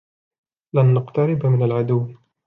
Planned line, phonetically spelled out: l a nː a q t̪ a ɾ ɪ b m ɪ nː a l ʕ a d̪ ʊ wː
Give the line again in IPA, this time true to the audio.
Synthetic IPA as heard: l a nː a q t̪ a ɾ ɪ b m ɪ n a l ʕ a d̪ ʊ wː

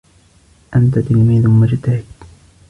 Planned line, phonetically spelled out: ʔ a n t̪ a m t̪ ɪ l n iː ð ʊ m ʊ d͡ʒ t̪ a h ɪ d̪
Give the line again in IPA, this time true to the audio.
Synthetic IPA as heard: ʔ a n t̪ a t̪ ɪ l m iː ð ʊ m ʊ d͡ʒ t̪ a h ɪ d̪

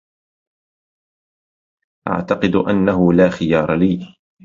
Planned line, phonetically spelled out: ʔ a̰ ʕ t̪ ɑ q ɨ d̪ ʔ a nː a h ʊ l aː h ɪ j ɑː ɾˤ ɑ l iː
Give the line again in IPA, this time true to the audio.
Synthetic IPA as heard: ʔ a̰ ʕ t̪ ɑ q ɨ d̪ ʔ a nː a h ʊ l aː x ɪ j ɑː ɾˤ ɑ l iː

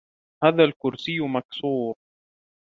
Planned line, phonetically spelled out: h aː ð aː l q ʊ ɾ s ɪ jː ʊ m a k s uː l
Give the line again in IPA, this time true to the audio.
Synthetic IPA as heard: h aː ð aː l k ʊ ɾ s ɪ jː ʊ m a k s uː ɾ

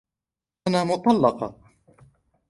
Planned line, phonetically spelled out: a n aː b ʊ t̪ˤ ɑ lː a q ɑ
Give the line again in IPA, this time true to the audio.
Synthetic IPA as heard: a n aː m ʊ t̪ˤ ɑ lː ɑ q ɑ

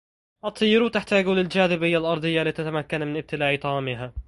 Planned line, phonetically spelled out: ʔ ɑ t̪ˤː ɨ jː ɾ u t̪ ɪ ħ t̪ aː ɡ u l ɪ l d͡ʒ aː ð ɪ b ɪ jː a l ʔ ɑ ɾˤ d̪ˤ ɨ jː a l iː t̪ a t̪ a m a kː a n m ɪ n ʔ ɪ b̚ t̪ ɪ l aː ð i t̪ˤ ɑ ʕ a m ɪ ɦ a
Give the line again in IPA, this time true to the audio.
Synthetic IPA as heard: ʔ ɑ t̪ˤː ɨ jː ɾ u t̪ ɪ ħ t̪ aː ɡ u l ɪ l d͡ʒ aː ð ɪ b ɪ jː a l ʔ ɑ ɾˤ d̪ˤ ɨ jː a l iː t̪ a t̪ a m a kː a n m ɪ n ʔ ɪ b̚ t̪ ɪ l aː ʕ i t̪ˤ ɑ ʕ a m ɪ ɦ a

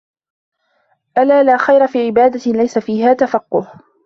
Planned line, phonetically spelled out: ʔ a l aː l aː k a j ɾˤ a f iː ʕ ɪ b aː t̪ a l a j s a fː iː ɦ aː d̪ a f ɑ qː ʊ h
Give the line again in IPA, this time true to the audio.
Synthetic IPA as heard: ʔ a l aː l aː x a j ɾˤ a f iː ʕ ɪ b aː d̪ a l a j s a f iː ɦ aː t̪ a f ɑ qː ʊ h

